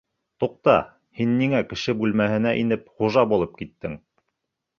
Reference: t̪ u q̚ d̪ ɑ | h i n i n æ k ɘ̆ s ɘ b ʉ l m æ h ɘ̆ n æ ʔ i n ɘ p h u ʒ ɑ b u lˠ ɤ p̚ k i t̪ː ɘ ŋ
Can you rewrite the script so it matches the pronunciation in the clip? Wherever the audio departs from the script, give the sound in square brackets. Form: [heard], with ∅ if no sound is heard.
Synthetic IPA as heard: t̪ u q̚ [t̪] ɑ | h i [nː] i [ŋ] æ k ɘ̆ [ʃ] ɘ b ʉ l m æ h ɘ̆ n æ ʔ i n ɘ p [χ] u ʒ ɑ b u lˠ ɤ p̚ k i t̪ː ɘ ŋ